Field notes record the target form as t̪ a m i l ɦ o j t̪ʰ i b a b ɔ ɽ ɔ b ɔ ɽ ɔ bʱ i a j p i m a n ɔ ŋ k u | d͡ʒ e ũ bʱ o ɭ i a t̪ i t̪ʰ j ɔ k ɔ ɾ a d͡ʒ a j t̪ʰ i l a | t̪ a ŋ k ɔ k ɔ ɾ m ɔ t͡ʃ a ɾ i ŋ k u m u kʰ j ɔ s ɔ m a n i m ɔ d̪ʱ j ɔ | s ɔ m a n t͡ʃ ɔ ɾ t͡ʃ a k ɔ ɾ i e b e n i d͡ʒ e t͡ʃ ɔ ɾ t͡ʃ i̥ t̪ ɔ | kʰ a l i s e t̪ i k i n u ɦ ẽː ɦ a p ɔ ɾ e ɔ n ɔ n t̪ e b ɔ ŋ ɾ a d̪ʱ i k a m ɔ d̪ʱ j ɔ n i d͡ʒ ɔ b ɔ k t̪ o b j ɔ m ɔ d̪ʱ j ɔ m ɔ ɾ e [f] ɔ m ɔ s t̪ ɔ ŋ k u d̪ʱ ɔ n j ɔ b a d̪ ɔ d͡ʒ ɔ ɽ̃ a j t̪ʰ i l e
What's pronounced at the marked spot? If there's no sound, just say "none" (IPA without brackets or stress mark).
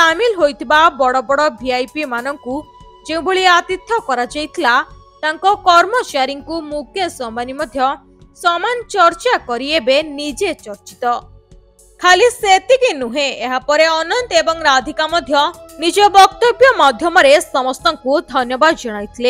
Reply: s